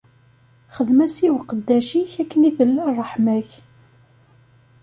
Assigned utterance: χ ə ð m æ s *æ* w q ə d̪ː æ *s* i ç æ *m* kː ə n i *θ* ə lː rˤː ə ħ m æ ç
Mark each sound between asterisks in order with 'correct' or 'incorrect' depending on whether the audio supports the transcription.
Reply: incorrect: i, incorrect: ʃ, incorrect: none, correct

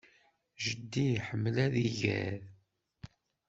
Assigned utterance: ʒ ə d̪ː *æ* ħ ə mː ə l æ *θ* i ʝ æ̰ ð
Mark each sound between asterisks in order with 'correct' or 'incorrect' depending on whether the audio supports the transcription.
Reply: incorrect: i, incorrect: ð

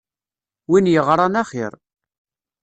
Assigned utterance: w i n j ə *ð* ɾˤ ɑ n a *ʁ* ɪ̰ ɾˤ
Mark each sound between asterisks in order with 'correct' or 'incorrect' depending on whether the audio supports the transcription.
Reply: incorrect: ʁ, incorrect: χ

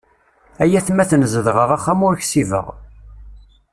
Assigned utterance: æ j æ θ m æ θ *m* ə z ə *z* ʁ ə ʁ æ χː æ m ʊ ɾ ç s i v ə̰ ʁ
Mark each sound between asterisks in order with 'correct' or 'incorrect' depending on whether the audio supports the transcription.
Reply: incorrect: n, incorrect: ð

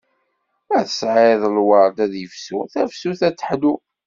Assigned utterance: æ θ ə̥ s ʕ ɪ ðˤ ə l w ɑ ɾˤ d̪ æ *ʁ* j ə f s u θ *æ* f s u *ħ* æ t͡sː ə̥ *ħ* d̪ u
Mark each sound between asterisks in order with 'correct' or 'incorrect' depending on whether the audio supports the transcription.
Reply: incorrect: ð, correct, incorrect: θ, correct

